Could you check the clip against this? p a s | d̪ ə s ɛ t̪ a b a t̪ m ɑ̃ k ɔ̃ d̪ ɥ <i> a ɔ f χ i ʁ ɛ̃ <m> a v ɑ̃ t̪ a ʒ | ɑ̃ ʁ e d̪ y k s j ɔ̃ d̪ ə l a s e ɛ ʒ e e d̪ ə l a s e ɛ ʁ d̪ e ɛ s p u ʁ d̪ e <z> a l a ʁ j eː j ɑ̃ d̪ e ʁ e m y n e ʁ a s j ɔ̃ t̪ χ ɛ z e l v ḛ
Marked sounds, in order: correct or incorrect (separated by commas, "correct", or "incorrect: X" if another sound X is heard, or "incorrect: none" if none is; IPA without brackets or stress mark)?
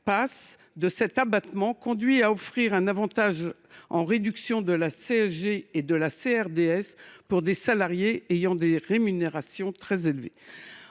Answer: correct, incorrect: n, incorrect: s